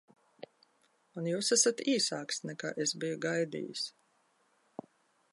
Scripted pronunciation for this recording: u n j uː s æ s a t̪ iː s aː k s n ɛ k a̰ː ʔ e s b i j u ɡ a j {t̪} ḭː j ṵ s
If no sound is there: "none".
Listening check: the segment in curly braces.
d̪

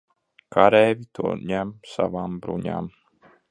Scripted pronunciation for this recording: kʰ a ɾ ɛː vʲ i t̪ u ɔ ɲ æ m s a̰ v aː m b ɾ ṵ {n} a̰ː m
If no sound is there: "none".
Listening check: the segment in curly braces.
ɲ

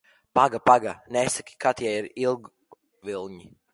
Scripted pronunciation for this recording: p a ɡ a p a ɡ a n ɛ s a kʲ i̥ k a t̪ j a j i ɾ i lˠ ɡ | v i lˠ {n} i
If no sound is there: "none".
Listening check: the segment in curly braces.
ɲ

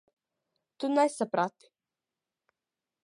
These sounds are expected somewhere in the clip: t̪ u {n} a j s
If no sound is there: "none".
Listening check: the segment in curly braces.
n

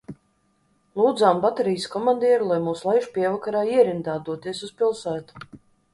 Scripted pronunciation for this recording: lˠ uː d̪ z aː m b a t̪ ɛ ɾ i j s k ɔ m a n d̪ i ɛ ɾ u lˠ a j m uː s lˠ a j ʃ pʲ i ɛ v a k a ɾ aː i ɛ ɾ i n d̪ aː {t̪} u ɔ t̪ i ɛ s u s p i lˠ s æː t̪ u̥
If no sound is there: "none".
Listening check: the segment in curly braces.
d̪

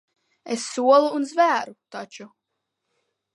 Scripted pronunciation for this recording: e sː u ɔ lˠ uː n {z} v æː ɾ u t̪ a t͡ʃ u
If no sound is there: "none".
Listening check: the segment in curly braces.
z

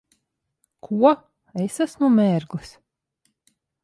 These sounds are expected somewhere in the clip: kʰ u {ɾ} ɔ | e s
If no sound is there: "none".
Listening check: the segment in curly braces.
none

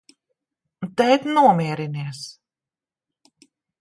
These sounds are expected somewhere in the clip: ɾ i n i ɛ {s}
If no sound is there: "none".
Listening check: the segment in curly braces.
s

